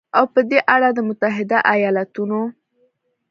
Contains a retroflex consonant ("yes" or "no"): yes